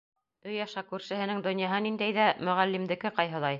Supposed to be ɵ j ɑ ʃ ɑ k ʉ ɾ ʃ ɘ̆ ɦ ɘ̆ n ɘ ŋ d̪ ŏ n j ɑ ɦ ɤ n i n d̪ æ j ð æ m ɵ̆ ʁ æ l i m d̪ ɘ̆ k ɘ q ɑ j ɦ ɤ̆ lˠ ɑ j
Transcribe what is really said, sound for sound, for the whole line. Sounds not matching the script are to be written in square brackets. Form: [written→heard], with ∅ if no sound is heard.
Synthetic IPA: ɵ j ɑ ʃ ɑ k ʉ ɾ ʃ ɘ̆ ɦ ɘ̆ n ɘ ŋ d̪ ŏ n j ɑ ɦ ɤ n i n d̪ æ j ð æ m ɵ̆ ʁ æ [l→lː] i m d̪ ɘ̆ k ɘ q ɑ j ɦ ɤ̆ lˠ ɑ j